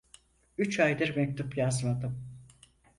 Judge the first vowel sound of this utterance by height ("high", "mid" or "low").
high